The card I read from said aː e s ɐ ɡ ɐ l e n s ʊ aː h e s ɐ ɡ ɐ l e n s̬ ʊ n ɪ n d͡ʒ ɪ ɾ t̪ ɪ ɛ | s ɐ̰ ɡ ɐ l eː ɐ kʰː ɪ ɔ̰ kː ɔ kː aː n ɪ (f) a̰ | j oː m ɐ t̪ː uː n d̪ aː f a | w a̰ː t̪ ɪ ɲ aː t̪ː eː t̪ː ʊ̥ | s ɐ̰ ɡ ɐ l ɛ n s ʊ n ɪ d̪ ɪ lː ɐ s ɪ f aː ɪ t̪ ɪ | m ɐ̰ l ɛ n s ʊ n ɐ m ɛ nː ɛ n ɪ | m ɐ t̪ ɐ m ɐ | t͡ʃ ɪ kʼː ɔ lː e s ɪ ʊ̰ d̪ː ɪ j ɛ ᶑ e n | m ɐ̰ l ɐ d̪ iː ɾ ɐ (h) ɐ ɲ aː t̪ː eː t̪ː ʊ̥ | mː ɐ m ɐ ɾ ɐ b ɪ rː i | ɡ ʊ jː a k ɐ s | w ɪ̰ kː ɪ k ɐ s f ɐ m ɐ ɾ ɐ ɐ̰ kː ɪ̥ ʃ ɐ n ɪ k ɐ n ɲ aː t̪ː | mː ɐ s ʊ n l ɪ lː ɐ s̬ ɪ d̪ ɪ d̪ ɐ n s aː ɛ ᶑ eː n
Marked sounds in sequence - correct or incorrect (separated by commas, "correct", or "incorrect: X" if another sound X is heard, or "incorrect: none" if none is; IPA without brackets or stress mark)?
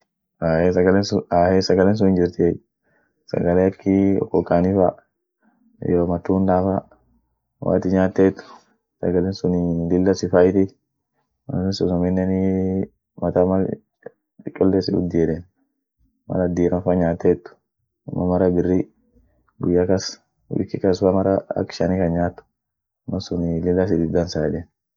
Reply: correct, incorrect: f